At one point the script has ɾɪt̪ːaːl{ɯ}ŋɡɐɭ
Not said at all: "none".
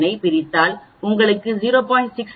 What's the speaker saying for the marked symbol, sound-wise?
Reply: ʊ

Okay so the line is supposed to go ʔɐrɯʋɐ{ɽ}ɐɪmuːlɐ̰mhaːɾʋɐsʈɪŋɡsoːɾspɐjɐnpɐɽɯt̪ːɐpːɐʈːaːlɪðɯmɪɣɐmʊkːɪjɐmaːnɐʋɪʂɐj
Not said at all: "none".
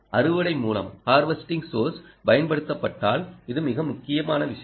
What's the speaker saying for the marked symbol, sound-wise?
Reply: ɽ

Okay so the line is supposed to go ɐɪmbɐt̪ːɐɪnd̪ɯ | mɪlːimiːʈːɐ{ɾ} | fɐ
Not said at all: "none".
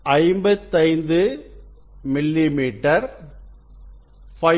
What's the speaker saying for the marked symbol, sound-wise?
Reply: ɾ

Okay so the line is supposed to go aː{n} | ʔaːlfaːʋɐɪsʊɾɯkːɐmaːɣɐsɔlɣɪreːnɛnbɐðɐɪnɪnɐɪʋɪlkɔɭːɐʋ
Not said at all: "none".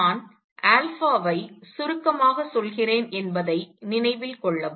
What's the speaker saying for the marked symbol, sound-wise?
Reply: n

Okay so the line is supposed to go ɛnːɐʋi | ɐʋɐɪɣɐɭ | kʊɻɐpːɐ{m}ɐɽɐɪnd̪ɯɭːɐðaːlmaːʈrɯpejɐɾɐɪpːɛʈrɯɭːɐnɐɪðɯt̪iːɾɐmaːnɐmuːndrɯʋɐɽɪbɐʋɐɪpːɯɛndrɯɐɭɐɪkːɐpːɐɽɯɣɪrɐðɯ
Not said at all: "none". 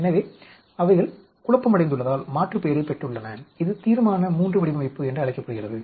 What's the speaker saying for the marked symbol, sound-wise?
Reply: m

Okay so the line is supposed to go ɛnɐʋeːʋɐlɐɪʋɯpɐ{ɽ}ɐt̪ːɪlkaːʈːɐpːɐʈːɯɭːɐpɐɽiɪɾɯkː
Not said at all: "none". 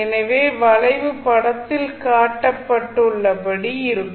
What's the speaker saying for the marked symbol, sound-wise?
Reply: ɽ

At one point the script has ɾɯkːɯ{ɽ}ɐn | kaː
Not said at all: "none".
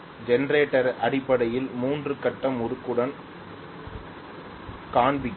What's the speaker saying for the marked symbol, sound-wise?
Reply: ɽ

